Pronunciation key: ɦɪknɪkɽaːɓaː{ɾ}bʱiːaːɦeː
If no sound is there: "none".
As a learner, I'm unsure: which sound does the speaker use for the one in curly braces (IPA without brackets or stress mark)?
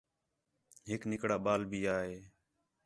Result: l